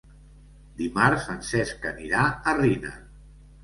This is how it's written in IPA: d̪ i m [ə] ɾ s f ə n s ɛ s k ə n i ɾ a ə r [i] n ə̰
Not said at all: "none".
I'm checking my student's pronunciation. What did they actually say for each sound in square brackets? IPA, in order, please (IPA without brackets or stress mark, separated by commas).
a, i